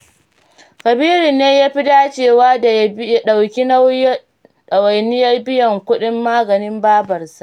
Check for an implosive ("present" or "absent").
present